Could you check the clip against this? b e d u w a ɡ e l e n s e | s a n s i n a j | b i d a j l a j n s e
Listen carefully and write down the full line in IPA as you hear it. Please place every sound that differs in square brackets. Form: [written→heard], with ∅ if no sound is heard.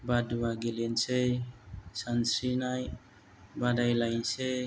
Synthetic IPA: b [e→a] d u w a ɡ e l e n s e | s a n s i n a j | b [i→a] d a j l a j n s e